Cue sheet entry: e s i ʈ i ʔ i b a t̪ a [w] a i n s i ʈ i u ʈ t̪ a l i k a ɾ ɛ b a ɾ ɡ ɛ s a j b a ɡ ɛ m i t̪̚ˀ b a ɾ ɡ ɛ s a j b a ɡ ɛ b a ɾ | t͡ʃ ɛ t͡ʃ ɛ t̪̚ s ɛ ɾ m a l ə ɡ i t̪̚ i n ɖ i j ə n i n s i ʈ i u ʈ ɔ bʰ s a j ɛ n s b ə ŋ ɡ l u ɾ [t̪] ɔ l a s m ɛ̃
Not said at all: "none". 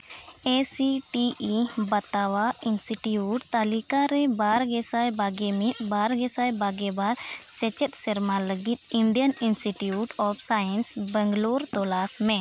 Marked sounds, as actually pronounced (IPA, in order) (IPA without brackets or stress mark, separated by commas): w, t̪